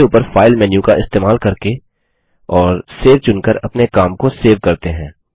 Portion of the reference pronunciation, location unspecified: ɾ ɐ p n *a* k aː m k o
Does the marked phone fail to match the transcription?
yes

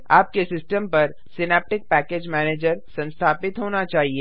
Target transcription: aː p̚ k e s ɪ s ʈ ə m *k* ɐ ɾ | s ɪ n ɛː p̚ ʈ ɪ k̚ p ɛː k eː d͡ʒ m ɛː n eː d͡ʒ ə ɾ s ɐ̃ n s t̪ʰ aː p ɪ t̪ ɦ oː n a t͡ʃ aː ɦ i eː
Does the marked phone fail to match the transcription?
yes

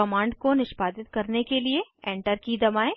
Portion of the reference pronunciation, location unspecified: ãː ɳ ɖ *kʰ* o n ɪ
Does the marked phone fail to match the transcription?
yes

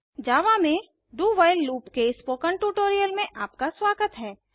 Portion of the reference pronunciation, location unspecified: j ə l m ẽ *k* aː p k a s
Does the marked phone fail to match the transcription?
yes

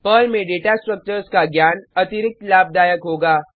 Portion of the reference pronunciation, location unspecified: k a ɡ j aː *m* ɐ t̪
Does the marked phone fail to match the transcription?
yes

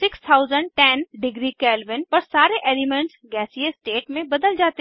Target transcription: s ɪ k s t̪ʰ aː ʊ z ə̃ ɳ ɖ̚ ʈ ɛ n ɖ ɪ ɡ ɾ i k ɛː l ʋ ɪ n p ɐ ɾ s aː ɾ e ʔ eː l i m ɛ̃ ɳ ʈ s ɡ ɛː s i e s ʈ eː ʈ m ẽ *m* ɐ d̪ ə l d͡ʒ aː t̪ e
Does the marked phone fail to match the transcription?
yes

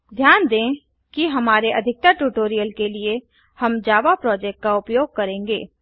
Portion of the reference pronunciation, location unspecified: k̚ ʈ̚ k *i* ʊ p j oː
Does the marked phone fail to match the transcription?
yes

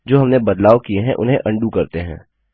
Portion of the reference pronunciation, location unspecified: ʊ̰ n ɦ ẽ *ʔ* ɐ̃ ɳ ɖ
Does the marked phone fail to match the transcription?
no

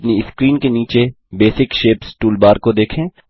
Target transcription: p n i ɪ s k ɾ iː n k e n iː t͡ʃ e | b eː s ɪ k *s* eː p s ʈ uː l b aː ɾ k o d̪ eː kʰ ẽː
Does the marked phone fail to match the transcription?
yes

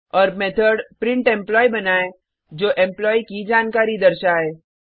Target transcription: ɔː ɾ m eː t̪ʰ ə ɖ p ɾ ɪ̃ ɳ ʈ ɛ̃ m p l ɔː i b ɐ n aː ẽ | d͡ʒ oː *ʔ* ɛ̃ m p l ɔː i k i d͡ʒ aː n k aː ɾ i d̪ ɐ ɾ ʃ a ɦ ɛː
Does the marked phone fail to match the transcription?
no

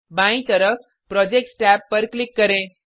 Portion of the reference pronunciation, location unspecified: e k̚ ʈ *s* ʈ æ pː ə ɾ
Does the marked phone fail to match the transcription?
no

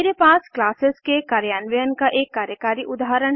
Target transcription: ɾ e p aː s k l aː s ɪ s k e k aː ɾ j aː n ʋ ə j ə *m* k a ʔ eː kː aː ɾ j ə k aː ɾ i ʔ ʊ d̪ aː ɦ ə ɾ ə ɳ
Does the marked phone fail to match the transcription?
yes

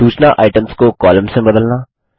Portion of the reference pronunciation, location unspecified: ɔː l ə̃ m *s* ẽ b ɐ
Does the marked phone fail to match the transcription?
no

